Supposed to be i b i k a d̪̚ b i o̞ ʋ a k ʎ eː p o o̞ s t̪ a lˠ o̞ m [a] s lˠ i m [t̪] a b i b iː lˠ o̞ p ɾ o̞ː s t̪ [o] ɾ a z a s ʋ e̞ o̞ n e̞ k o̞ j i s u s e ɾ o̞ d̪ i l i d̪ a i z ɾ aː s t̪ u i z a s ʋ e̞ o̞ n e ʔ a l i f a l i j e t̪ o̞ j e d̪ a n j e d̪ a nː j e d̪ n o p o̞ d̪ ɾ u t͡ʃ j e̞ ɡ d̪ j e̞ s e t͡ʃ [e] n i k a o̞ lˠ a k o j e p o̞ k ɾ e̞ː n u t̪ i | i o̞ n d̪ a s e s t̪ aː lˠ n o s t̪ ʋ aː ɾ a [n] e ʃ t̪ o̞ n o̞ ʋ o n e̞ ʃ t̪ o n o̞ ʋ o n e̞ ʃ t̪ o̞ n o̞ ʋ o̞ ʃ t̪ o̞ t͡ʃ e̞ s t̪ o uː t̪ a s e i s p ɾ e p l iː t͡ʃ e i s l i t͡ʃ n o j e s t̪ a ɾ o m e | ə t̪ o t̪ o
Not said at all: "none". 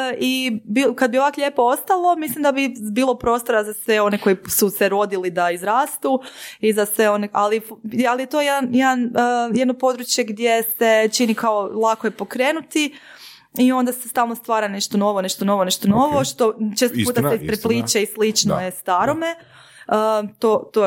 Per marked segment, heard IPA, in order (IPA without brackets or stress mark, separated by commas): i, d̪, o, i, n